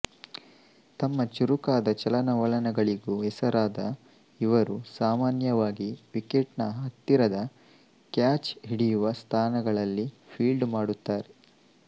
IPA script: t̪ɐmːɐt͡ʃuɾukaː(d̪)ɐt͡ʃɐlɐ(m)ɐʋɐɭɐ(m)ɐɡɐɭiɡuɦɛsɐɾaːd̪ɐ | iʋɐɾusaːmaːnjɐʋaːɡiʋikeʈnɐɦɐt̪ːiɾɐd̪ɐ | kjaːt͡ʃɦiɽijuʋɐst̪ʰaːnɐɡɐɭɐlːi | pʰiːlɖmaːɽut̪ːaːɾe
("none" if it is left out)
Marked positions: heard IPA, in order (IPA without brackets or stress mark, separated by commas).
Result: d̪, n, n